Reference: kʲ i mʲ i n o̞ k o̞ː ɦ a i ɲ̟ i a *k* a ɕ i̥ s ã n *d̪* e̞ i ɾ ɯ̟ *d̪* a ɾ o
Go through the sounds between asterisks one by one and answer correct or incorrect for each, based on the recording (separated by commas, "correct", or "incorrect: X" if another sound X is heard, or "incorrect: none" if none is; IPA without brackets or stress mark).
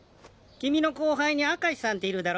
correct, incorrect: t̪, correct